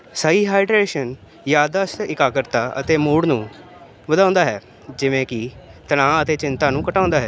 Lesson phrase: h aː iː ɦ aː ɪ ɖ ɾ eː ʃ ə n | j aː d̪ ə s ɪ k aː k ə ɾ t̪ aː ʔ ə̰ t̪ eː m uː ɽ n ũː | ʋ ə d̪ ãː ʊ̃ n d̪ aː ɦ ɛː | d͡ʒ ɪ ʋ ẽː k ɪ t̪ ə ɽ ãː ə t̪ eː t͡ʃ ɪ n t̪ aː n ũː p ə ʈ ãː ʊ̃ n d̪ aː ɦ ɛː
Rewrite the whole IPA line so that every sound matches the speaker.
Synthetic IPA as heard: s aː iː ɦ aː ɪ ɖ ɾ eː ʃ ə n | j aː d̪ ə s ɪ k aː k ə ɾ t̪ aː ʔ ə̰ t̪ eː m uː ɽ n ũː | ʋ ə d̪ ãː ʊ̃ n d̪ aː ɦ ɛː | d͡ʒ ɪ ʋ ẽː k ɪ t̪ ə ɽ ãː ə t̪ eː t͡ʃ ɪ n t̪ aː n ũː k ə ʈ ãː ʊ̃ n d̪ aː ɦ ɛː